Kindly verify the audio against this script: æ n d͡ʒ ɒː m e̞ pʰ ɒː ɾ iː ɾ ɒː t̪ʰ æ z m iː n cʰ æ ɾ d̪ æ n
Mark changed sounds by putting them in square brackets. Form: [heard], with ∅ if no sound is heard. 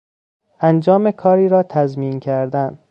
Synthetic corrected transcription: æ n d͡ʒ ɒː m e̞ [kʰ] ɒː ɾ iː ɾ ɒː t̪ʰ æ z m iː n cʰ æ ɾ d̪ æ n